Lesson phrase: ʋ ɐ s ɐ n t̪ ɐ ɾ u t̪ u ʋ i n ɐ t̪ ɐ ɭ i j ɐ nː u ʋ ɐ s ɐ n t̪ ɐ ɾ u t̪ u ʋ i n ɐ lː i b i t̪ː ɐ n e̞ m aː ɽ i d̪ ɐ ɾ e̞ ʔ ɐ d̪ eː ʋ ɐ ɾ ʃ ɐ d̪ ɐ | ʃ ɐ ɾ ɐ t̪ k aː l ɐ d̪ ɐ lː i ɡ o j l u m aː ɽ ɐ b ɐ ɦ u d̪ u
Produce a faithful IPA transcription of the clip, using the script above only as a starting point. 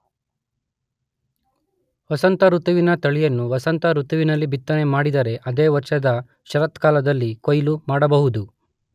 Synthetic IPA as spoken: ʋ ɐ s ɐ n t̪ ɐ ɾ u t̪ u ʋ i n ɐ t̪ ɐ ɭ i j ɐ nː u ʋ ɐ s ɐ n t̪ ɐ ɾ u t̪ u ʋ i n ɐ lː i b i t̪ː ɐ n e̞ m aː ɽ i d̪ ɐ ɾ e̞ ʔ ɐ d̪ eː ʋ ɐ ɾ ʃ ɐ d̪ ɐ | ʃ ɐ ɾ ɐ t̪ k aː l ɐ d̪ ɐ lː i k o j l u m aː ɽ ɐ b ɐ ɦ u d̪ u